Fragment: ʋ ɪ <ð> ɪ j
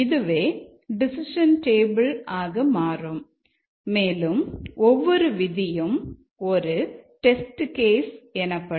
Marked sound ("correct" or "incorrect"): correct